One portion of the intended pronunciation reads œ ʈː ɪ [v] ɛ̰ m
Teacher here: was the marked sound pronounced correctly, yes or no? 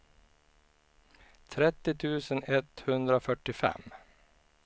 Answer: no